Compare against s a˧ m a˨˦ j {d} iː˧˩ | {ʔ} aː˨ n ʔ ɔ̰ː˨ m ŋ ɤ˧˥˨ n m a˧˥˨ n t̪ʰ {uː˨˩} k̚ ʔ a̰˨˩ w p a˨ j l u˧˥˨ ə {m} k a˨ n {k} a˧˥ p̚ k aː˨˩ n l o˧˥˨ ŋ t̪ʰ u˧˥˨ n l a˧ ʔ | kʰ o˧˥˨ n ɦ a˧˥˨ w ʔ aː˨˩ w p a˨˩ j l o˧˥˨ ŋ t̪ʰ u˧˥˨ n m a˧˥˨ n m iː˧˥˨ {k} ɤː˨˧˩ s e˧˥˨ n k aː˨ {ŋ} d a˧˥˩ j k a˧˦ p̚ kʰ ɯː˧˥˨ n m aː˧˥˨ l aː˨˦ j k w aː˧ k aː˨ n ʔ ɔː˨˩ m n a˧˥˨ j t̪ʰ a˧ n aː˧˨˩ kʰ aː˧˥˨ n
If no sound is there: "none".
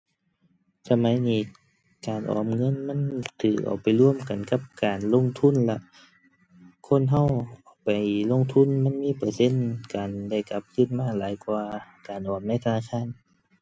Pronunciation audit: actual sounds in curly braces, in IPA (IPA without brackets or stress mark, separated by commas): n, k, ɯː˨˩, m, k, p, n